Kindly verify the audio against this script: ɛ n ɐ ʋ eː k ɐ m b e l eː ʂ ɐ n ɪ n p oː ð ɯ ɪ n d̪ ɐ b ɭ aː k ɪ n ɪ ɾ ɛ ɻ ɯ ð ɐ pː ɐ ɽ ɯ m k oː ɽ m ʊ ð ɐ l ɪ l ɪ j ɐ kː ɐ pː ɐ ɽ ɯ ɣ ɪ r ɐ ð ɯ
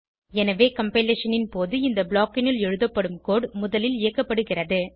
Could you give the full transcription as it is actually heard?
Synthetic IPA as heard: ɛ n ɐ ʋ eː k ɐ m p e l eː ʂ ɐ n ɪ n p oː ð ɯ ɪ n d̪ ɐ b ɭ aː k ɪ n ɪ l ɛ ɻ ɯ ð ɐ pː ɐ ɽ ɯ m k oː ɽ m ʊ ð ɐ l ɪ l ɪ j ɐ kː ɐ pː ɐ ɽ ɯ ɣ ɪ r ɐ ð ɯ